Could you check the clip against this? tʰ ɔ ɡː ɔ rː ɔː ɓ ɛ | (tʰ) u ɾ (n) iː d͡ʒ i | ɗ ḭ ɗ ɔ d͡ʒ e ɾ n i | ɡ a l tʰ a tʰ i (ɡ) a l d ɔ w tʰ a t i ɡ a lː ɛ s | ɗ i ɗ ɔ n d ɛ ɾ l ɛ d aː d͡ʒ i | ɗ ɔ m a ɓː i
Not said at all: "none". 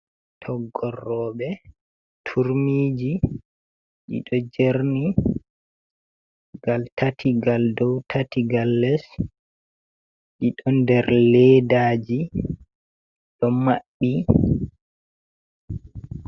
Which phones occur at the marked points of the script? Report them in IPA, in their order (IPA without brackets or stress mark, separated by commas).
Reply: tʰ, m, ɡ